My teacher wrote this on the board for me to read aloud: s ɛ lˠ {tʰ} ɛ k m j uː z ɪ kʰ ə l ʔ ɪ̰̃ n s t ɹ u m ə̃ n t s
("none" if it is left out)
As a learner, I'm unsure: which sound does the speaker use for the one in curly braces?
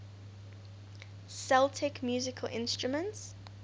tʰ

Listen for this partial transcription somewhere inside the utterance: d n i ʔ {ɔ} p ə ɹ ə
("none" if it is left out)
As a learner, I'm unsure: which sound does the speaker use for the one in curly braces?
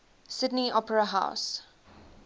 ɔ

